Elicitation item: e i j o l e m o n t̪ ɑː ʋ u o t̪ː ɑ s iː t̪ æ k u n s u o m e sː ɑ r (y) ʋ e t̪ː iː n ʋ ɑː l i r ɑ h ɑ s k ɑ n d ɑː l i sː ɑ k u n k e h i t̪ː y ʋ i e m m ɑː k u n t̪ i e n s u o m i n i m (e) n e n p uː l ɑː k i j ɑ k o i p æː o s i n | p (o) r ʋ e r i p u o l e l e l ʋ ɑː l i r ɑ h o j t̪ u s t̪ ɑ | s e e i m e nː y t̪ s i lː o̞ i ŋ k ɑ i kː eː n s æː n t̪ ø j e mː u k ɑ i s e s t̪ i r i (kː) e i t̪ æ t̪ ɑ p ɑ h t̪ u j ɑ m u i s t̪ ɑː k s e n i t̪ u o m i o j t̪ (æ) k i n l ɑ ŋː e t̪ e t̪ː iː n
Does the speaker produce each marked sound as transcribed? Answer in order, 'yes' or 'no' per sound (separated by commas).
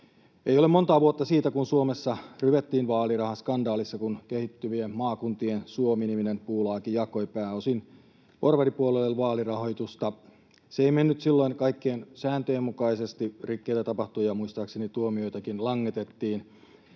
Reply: yes, no, yes, yes, yes